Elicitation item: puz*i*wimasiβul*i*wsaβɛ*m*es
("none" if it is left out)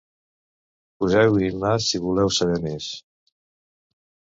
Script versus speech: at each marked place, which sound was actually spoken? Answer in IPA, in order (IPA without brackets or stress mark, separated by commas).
ɛ, ɛ, m